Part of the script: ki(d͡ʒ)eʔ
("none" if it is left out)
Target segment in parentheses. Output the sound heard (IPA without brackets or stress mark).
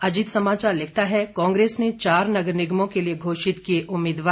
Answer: none